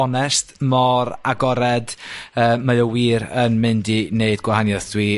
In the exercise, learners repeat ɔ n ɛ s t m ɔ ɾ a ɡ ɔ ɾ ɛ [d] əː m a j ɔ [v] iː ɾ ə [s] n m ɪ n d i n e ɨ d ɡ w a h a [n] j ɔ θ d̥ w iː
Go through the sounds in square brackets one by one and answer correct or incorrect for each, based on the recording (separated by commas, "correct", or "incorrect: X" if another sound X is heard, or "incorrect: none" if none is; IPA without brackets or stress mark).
correct, incorrect: w, incorrect: none, correct